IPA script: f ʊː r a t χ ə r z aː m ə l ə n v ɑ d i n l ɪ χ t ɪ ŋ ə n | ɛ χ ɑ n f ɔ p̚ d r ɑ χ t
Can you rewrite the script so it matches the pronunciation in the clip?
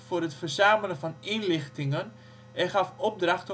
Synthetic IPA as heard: f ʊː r ə t f ə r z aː m ə l ə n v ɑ n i n l ɪ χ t ɪ ŋ ə n | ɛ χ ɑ f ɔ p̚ d r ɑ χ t